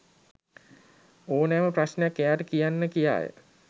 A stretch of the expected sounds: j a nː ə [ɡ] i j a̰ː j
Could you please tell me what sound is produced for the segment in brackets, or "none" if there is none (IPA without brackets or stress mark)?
k